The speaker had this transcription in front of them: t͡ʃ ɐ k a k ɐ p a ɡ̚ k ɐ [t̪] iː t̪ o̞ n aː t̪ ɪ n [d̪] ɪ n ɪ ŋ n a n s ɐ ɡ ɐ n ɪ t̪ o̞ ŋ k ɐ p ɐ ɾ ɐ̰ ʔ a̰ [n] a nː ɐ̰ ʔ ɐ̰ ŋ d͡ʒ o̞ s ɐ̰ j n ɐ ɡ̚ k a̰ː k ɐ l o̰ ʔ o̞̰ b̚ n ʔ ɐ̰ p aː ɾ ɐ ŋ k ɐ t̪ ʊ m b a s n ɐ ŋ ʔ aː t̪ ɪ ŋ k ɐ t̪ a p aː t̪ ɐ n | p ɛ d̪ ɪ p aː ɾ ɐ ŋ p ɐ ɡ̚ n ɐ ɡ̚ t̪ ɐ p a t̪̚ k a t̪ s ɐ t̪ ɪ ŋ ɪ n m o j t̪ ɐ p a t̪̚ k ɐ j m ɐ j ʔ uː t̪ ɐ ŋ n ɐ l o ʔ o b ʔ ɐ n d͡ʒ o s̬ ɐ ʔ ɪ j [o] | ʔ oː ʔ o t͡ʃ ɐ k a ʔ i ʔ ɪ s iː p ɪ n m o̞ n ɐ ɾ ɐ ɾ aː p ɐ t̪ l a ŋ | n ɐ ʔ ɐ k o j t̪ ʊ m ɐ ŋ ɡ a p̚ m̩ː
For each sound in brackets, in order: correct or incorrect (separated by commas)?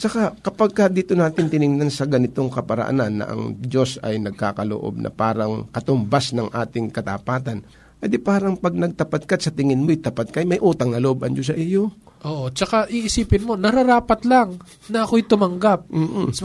incorrect, incorrect, correct, correct